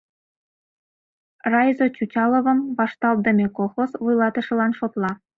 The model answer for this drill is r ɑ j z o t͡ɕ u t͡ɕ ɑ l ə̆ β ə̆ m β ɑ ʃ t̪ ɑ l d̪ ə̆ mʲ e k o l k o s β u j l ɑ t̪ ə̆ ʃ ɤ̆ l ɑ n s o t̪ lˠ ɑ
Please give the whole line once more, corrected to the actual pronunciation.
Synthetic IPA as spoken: r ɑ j z o t͡ɕ u t͡ɕ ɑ l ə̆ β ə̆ m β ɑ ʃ t̪ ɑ l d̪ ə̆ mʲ e k o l x o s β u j l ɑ t̪ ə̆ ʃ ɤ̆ l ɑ n ʃ o t̪ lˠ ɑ